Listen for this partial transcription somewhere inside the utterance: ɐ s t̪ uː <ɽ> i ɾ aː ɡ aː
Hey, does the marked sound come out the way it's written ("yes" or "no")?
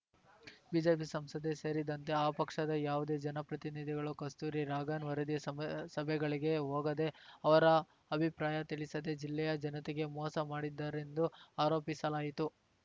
no